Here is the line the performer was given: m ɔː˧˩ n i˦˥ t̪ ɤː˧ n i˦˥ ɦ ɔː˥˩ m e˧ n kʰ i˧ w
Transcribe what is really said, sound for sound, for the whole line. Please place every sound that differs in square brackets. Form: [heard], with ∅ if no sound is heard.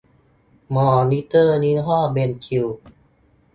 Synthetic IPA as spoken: m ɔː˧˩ n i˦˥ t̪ [ɤː˥˩] n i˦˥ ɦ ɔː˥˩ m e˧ n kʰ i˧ w